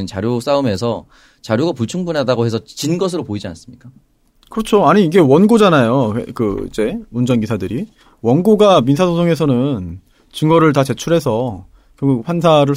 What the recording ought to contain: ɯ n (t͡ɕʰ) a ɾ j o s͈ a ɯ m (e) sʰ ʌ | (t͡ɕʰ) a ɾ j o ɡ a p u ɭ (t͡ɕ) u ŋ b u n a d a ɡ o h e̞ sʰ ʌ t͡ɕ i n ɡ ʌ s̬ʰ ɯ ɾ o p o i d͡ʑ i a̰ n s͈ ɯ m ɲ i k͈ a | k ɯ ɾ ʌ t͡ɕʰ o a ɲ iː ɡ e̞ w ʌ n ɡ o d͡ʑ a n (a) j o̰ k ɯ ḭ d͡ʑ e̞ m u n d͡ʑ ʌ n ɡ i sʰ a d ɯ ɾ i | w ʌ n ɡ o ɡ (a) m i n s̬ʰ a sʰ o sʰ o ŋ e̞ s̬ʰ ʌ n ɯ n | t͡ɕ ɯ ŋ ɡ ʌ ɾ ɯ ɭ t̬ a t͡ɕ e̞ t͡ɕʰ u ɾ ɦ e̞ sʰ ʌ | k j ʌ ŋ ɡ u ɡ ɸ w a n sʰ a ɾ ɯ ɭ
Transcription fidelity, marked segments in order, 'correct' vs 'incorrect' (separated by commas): incorrect, correct, incorrect, incorrect, correct, correct